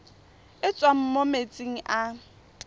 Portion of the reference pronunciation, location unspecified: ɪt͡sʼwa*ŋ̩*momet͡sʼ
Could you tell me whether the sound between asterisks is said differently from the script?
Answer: yes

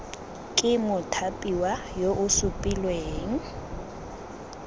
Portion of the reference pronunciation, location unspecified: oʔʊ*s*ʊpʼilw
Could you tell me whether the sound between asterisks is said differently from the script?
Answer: no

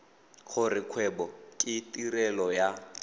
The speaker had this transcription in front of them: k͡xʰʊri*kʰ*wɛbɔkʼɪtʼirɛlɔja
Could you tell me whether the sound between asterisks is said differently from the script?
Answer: no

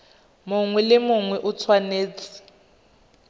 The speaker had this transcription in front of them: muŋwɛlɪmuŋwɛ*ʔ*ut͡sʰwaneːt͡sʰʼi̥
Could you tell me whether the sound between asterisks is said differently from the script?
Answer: no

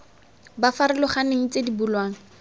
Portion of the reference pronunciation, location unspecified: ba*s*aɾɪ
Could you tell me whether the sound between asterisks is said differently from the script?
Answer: yes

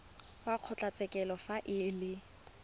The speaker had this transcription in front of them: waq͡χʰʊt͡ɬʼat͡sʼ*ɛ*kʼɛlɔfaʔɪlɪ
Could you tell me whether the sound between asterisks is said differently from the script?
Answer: no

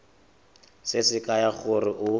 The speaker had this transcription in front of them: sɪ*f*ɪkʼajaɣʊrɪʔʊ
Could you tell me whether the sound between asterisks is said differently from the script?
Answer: yes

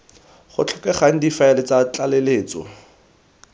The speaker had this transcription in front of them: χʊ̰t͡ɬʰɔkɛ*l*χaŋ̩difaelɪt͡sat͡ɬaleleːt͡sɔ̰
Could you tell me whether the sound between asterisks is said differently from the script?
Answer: yes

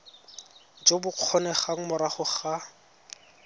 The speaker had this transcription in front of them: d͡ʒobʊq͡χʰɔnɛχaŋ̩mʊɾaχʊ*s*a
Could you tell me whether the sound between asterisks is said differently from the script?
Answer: yes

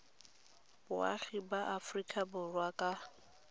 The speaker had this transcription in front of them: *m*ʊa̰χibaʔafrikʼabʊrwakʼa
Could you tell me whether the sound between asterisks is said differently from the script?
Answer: yes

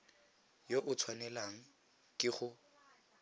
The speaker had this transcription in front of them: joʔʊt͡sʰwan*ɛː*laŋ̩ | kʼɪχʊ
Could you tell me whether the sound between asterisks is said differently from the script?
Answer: yes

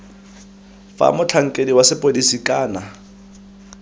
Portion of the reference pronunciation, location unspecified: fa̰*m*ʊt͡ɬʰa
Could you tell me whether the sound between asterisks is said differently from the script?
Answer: no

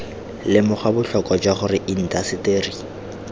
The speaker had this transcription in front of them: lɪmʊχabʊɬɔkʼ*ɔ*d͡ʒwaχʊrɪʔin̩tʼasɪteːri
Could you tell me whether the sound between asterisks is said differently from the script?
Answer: no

